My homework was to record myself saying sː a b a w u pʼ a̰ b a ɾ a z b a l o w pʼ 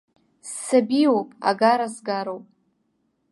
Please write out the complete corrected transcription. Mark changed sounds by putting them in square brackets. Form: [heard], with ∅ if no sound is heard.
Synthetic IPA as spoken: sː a b [i] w [o] pʼ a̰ [ɡ] a ɾ a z [ɡ] a [ɾ] o w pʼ